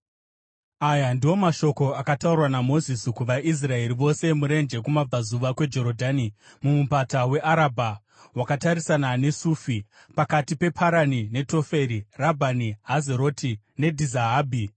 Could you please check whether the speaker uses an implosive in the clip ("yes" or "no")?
no